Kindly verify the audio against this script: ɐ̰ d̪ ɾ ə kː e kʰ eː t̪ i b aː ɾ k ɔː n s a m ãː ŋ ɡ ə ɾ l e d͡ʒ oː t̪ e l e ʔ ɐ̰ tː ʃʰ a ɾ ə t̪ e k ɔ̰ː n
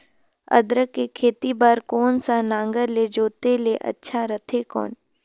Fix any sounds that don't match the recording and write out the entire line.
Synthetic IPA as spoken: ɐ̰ d̪ ɾ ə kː e kʰ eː t̪ i b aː ɾ k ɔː n s a n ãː ŋ ɡ ə ɾ l e d͡ʒ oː t̪ e l e ʔ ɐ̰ tː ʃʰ a ɾ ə t̪ʰ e k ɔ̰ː n